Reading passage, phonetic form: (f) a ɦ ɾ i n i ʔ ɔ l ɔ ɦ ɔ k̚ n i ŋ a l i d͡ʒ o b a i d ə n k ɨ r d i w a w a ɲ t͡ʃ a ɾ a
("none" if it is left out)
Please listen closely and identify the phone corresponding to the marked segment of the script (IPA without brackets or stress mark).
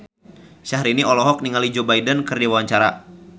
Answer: ʃ